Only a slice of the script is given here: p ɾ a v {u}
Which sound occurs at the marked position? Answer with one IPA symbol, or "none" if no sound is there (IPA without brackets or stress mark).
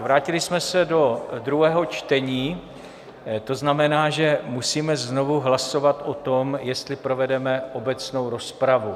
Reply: u